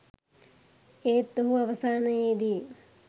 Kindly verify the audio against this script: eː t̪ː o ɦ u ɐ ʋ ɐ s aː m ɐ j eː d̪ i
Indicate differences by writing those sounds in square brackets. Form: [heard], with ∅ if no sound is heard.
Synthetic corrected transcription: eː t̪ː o ɦ u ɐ ʋ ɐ s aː [n] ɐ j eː d̪ i